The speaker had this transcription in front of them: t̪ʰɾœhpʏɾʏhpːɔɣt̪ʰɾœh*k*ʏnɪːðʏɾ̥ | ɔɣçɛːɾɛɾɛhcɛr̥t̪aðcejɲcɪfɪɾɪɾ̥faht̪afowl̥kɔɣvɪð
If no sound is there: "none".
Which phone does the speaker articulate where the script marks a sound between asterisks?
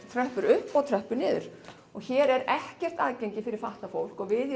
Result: p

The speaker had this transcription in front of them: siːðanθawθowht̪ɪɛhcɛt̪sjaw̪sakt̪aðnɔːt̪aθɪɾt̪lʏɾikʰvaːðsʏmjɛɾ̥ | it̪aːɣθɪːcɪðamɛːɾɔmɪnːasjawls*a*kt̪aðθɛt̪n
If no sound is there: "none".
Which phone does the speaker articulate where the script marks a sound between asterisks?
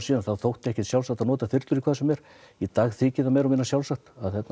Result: a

